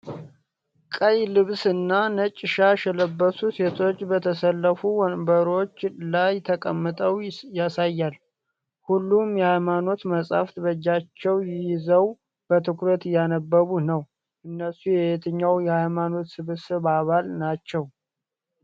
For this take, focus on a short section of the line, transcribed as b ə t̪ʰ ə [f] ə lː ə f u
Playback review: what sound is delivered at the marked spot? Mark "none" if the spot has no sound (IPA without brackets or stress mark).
s